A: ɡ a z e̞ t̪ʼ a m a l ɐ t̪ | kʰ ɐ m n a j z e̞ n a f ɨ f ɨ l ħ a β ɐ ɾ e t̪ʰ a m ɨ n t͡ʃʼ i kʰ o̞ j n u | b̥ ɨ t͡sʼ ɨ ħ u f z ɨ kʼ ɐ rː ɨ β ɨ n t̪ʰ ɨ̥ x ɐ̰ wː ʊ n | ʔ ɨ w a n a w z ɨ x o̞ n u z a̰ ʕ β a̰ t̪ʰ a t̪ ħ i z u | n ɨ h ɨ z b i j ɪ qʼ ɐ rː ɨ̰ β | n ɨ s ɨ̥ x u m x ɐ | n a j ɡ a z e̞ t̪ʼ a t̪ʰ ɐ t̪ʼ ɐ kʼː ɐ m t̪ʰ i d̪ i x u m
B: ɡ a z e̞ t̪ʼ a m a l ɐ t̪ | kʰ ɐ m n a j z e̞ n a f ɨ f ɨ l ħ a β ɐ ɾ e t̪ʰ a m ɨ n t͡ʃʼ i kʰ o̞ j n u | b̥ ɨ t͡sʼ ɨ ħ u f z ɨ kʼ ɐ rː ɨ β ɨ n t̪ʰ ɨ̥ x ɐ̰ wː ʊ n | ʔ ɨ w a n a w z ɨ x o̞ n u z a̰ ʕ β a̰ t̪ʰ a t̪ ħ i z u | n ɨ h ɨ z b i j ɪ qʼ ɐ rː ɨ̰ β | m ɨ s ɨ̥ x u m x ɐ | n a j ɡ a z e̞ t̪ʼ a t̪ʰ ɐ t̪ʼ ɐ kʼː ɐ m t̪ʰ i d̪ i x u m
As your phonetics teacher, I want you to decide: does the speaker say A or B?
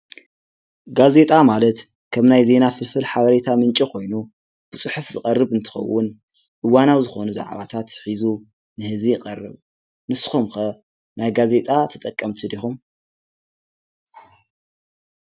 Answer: A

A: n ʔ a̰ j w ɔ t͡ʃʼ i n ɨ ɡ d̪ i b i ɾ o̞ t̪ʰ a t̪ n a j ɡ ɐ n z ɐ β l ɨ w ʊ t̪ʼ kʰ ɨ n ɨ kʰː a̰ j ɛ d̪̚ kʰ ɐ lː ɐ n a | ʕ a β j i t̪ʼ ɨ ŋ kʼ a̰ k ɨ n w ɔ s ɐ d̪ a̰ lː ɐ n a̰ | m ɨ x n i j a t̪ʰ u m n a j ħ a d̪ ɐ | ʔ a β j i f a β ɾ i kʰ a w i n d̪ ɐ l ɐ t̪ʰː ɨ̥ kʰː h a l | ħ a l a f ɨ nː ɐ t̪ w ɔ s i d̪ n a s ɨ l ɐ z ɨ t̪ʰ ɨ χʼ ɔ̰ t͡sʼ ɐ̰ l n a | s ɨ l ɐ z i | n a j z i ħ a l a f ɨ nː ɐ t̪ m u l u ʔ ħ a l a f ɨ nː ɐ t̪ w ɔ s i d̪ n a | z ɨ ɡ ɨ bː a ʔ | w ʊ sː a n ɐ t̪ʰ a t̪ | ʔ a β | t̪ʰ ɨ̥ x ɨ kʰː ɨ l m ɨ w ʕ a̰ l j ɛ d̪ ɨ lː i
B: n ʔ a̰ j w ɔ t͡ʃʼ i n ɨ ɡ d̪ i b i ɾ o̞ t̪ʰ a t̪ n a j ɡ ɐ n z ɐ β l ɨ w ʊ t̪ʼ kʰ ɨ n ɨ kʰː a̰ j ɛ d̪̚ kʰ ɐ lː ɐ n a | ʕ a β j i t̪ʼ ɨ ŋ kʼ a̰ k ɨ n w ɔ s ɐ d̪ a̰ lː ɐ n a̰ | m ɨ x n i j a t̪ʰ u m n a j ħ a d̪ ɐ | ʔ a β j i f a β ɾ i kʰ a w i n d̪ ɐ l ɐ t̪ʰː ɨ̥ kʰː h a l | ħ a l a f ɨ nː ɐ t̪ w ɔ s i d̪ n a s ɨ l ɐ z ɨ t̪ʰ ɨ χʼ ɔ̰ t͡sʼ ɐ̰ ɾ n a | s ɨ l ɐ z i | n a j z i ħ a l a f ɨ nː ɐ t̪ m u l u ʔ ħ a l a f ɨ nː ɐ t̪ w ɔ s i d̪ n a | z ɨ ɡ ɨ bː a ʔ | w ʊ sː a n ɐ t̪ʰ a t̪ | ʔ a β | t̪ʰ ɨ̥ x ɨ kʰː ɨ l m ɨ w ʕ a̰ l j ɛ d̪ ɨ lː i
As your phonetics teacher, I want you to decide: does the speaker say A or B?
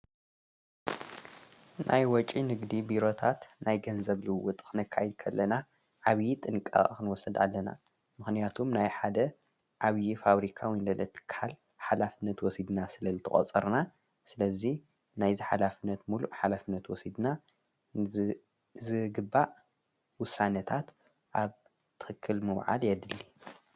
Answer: B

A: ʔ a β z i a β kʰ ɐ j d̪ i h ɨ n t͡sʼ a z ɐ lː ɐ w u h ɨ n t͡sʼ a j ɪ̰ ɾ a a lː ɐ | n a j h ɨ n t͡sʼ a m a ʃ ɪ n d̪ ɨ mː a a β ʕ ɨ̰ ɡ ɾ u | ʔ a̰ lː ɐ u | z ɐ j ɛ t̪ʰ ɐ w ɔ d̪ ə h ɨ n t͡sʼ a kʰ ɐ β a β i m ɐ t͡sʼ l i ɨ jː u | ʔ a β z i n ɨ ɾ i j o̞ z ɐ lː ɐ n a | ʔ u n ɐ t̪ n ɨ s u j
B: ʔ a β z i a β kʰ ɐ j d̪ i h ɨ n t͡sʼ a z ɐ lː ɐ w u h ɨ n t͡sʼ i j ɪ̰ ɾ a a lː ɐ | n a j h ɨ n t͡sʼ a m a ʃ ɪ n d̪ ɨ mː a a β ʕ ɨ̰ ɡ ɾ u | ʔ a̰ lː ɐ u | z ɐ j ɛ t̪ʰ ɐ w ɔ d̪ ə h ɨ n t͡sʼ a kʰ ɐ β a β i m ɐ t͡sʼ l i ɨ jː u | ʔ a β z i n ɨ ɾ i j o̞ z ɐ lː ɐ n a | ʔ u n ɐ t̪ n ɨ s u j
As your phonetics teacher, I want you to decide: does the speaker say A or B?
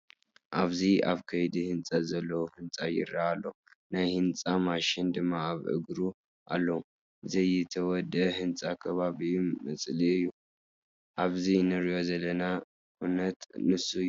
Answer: A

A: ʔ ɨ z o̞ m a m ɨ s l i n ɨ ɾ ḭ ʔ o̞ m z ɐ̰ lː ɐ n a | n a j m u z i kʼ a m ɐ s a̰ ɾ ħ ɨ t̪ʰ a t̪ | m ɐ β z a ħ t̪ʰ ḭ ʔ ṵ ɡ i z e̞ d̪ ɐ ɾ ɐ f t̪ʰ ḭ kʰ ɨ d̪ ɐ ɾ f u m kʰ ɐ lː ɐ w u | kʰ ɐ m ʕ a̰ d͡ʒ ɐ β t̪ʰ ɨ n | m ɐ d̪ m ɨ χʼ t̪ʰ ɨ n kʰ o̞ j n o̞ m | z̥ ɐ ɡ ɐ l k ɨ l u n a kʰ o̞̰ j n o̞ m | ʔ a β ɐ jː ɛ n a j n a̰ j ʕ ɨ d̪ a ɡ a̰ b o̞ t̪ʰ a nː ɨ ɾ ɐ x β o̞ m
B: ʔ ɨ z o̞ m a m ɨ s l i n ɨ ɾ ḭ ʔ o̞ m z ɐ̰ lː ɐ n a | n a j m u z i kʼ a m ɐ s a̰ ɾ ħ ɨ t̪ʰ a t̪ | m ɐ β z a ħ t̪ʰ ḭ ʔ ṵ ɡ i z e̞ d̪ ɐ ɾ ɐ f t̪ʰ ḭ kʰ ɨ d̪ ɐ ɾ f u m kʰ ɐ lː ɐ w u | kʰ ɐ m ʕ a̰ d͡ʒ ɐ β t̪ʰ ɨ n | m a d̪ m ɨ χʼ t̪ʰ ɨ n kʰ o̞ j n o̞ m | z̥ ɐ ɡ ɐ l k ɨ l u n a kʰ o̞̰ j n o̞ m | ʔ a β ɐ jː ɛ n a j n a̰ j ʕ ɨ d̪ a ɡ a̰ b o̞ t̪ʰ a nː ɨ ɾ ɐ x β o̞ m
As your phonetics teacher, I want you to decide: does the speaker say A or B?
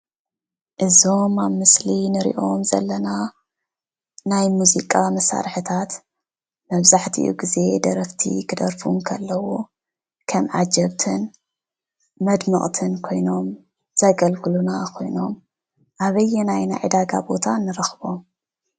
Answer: A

